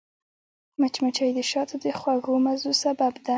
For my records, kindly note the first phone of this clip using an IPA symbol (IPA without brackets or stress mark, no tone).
m